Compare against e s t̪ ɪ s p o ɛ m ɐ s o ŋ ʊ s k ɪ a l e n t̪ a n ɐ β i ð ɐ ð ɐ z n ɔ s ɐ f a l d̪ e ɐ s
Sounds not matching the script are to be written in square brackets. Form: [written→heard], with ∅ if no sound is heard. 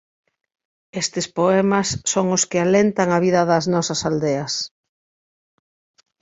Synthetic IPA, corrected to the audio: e s t̪ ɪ s p o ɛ m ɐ [s→sː] o ŋ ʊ s k ɪ a l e n t̪ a [n→ŋ] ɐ β i ð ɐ ð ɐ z n ɔ s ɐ [f→s] a l d̪ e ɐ s